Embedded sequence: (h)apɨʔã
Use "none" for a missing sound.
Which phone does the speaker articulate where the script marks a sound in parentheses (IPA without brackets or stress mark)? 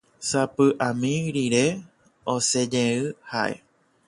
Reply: s